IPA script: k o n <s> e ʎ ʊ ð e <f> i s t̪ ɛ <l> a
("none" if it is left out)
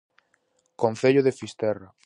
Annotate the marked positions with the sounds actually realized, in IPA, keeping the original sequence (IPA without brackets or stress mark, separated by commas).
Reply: θ, f, r